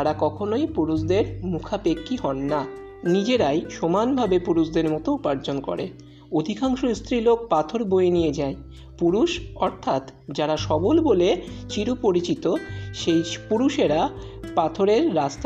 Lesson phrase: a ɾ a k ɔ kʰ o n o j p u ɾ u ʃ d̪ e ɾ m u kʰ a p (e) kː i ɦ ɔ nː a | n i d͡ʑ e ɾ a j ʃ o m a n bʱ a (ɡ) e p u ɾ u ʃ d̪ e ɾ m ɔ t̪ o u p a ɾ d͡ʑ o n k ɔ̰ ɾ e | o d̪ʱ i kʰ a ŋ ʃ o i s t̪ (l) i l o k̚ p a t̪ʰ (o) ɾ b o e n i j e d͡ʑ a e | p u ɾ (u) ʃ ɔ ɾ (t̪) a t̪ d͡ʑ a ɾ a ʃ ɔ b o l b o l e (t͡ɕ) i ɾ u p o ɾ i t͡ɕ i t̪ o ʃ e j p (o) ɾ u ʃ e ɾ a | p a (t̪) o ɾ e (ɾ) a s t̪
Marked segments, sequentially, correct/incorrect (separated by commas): correct, incorrect, incorrect, correct, correct, incorrect, correct, incorrect, incorrect, incorrect